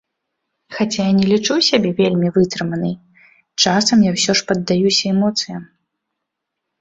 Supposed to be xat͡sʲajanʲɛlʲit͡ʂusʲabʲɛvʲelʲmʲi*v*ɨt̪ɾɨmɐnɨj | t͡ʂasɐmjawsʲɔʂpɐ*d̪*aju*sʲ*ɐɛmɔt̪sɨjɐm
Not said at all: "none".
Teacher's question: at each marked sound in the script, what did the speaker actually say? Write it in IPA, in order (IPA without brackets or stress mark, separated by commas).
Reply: v, d̪ː, sʲ